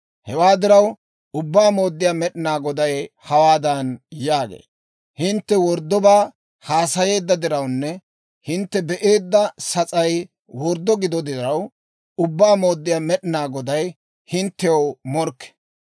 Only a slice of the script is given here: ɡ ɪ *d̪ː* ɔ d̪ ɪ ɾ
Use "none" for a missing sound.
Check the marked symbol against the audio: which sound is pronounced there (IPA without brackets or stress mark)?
d̪